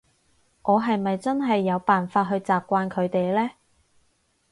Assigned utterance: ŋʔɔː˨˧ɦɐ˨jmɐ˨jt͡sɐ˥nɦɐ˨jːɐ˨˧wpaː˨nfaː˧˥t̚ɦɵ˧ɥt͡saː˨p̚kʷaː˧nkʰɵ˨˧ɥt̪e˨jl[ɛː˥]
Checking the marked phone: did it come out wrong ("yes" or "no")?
no